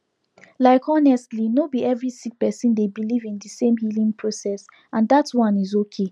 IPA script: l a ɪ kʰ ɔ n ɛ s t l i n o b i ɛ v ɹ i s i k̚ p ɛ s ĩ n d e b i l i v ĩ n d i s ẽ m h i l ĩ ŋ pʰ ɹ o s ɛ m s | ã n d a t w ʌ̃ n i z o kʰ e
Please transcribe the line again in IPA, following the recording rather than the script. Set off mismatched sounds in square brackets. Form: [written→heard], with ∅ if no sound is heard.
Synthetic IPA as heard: l a ɪ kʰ ɔ n ɛ s t l i n o b i ɛ v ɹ i s i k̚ p ɛ s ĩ n d e b i l i v ĩ n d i s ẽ m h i l ĩ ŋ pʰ ɹ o s ɛ [m→∅] s | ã n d a t w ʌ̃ n i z o kʰ e